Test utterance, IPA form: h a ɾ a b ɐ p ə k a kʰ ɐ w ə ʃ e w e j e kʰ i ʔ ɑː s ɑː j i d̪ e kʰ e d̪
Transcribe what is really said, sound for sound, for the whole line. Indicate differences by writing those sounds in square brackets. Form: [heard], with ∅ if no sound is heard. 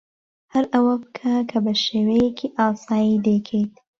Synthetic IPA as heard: h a ɾ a [w] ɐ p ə [kʰ] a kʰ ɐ [b] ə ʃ e w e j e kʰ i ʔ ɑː s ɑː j i d̪ e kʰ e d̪